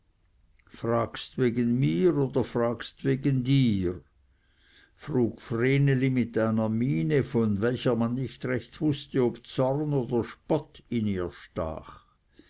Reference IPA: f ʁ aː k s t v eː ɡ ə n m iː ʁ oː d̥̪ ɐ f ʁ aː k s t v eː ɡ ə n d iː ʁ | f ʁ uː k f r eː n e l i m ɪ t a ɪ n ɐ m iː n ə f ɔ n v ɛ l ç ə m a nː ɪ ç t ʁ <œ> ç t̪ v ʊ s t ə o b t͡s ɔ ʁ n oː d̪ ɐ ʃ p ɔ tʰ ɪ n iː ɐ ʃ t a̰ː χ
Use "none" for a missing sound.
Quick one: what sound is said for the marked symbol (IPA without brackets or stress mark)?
ɛ